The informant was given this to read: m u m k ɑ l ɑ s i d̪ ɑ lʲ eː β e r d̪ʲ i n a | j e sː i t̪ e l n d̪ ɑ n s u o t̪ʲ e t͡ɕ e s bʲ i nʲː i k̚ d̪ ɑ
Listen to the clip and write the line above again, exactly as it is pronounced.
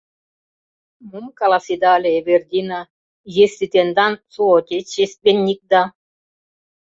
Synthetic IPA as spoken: m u m k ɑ l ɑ s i d̪ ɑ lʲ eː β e r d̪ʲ i n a | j e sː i t̪ e n d̪ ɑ n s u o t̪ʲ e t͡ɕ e s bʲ e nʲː i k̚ d̪ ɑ